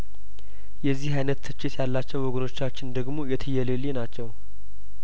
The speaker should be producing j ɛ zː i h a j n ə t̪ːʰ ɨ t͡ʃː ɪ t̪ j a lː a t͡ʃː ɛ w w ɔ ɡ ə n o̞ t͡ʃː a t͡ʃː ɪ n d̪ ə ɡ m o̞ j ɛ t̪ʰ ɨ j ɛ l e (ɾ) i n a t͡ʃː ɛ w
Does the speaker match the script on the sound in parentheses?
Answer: no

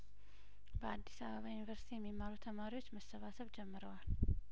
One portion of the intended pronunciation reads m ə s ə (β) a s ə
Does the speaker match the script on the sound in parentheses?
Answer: yes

